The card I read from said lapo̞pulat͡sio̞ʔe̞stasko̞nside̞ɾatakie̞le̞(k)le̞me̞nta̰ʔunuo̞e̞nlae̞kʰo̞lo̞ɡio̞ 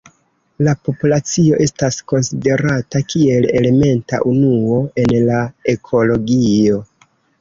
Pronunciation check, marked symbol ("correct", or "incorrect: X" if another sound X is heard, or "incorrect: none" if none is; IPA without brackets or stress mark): incorrect: none